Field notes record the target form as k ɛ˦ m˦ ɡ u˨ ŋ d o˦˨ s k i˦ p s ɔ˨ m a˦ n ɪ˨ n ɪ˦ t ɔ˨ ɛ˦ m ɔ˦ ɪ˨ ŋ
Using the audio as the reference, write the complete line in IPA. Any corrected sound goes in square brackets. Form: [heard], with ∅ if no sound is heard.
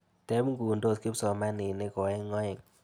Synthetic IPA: [t] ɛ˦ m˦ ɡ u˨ [n] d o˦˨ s k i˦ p s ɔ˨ m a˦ n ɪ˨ n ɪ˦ [k] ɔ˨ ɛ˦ [ŋ] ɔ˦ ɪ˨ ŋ